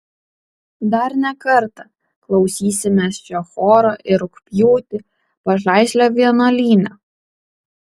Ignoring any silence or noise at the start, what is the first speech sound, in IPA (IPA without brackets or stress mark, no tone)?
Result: d̪